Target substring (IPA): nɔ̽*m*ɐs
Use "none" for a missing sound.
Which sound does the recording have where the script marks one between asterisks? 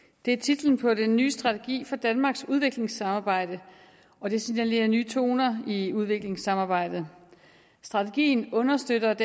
n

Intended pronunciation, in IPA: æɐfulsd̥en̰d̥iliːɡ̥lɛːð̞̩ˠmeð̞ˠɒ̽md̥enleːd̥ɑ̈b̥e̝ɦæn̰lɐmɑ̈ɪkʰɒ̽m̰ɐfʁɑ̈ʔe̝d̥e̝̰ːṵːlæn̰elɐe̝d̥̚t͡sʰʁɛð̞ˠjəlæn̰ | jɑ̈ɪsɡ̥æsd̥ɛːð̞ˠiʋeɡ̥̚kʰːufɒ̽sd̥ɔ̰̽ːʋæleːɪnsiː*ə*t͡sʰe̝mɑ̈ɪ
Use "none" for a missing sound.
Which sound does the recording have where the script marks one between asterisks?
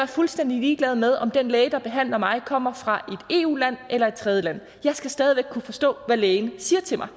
ɐ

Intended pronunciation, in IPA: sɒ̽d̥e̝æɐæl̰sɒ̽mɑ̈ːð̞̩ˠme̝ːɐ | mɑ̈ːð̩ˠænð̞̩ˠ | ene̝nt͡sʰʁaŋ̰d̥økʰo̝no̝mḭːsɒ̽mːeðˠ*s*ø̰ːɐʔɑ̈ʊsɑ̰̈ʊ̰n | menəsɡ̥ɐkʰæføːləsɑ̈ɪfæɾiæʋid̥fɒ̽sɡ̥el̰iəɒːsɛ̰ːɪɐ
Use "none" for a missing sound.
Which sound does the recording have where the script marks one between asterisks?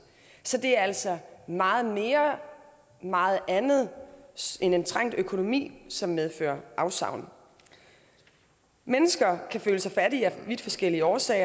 f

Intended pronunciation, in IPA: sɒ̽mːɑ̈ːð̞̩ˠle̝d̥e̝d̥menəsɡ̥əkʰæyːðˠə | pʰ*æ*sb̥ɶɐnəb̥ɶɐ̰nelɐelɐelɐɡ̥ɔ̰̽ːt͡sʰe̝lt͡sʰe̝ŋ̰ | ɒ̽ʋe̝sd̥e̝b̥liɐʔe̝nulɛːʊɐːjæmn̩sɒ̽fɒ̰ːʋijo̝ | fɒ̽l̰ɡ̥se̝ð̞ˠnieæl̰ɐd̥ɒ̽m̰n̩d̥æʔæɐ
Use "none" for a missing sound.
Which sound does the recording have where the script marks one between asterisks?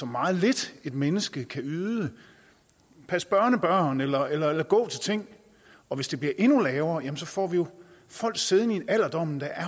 æ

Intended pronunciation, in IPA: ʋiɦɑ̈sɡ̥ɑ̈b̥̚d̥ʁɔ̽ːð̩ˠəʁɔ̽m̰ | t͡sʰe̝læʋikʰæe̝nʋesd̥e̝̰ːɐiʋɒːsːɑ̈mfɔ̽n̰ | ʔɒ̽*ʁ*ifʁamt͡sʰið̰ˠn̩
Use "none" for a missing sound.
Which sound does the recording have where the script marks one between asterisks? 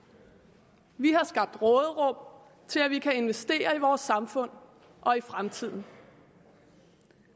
none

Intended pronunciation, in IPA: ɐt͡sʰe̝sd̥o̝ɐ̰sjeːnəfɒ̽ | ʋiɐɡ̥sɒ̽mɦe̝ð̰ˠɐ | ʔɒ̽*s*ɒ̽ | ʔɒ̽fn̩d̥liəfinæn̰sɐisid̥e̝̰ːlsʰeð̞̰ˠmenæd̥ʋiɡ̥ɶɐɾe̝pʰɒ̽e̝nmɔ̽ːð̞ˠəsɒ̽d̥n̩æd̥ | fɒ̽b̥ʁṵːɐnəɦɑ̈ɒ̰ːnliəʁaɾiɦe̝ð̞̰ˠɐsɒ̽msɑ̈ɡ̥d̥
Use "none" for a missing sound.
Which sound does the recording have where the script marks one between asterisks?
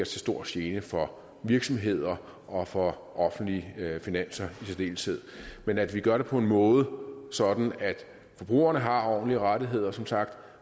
f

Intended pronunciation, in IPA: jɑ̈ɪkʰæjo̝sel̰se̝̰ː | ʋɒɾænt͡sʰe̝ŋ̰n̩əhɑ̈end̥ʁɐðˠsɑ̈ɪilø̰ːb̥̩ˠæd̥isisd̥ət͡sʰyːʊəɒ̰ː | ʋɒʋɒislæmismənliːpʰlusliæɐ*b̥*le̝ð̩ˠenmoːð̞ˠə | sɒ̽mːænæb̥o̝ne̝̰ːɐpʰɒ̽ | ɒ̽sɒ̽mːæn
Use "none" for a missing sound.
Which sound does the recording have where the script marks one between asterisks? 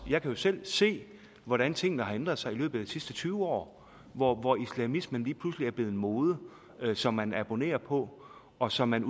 b̥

